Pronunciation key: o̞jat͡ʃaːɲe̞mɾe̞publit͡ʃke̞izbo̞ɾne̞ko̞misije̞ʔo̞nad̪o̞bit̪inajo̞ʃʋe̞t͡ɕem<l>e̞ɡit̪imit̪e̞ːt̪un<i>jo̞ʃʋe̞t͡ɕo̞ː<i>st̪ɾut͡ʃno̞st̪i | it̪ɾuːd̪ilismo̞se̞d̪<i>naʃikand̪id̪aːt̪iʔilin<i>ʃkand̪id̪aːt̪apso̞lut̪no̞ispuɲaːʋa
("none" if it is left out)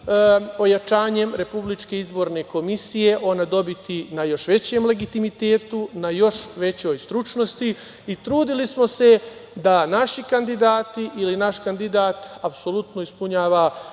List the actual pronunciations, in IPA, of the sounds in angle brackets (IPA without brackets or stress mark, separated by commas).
l, a, j, a, a